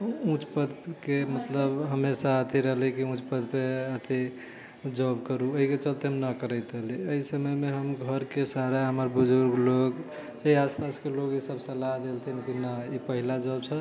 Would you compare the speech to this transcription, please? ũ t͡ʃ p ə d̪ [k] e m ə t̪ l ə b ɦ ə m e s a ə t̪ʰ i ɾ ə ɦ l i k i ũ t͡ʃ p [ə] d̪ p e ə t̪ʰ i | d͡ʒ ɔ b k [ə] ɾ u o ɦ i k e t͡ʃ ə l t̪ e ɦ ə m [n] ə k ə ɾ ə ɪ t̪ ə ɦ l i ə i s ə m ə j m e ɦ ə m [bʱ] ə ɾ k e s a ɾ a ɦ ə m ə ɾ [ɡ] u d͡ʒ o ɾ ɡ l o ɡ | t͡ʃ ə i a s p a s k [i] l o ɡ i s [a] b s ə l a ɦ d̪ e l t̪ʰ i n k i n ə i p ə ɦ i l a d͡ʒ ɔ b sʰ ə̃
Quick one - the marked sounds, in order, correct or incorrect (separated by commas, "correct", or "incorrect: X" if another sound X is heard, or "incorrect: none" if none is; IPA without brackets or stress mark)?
correct, correct, correct, correct, incorrect: ɡʱ, incorrect: b, incorrect: e, incorrect: ə